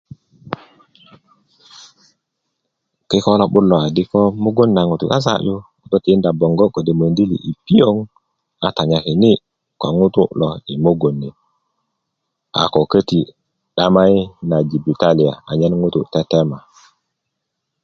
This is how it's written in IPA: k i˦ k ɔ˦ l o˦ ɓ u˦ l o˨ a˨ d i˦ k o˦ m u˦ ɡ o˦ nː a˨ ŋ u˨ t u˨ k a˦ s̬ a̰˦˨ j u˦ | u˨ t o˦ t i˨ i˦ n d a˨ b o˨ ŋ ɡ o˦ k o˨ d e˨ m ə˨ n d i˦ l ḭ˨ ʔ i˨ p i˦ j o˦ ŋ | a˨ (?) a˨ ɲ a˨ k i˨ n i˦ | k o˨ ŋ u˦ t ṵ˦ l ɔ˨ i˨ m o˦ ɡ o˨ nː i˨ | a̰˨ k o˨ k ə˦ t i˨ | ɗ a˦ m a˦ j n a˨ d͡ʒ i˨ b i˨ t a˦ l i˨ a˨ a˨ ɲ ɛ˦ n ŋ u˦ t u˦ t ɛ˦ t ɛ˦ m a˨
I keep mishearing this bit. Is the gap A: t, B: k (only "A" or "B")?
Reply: A